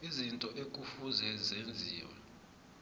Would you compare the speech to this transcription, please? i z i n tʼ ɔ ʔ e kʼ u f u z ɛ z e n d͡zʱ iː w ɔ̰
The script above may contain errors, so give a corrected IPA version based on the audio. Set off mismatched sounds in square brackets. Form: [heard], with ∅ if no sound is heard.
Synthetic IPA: i z i n tʼ ɔ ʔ e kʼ u f u z ɛ z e n d͡zʱ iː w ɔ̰